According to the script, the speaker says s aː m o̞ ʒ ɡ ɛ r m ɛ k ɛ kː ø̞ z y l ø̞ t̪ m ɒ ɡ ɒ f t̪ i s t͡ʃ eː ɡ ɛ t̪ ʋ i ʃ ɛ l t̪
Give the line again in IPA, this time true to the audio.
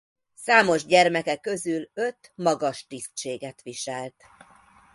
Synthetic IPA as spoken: s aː m o̞ ʒ ɟ ɛ r m ɛ k ɛ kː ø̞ z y l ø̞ t̪ m ɒ ɡ ɒ ʃ t̪ i s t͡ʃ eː ɡ ɛ t̪ ʋ i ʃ ɛ l t̪